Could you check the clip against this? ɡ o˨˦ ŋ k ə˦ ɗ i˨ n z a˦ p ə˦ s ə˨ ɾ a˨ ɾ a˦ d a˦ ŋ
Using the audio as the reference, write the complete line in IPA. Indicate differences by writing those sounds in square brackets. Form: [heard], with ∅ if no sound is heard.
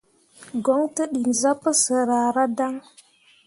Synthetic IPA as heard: ɡ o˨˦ ŋ [t] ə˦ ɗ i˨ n z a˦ p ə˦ s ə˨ ɾ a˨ ɾ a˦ d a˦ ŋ